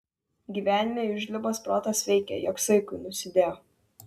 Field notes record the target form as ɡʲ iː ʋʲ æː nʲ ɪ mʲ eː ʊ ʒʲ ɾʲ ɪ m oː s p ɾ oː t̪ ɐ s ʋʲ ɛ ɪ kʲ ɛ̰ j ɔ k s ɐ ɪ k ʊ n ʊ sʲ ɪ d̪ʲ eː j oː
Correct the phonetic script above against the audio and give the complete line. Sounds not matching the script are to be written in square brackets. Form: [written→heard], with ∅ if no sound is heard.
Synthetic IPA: ɡʲ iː ʋʲ æː nʲ ɪ mʲ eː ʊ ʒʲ [ɾʲ→lʲ] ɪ [m→b] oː s p ɾ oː t̪ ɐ s ʋʲ ɛ ɪ kʲ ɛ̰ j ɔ k s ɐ ɪ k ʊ n ʊ sʲ ɪ d̪ʲ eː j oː